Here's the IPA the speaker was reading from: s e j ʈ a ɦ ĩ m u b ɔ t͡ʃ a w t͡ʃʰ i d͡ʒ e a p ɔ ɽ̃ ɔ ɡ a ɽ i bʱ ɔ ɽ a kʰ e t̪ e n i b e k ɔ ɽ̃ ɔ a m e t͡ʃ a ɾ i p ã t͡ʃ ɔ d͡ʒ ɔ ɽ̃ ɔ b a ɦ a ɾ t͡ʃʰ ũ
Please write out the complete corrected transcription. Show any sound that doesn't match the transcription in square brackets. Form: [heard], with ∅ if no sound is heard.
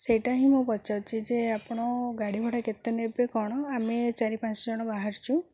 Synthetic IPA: s e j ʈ a ɦ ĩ m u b ɔ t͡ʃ a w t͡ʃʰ i d͡ʒ e a p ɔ ɽ̃ ɔ ɡ a ɽ i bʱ ɔ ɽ a [k] e t̪ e n [e] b e k ɔ ɽ̃ ɔ a m e t͡ʃ a ɾ i p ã t͡ʃ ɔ d͡ʒ ɔ ɽ̃ ɔ b a ɦ a ɾ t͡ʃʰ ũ